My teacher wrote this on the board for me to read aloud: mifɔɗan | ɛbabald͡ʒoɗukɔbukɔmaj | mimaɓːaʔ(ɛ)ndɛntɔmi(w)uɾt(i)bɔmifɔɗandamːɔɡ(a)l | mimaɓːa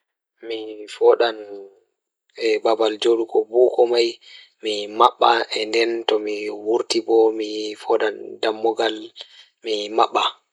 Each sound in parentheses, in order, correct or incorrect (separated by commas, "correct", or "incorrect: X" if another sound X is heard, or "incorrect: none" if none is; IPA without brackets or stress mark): correct, correct, correct, correct